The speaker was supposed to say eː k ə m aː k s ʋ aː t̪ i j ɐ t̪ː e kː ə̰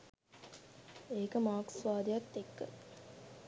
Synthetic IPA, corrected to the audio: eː k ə m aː k s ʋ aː d̪ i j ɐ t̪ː e kː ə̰